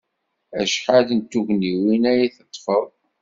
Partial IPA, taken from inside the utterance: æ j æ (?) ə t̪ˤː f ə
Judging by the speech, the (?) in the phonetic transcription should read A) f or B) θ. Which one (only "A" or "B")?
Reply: B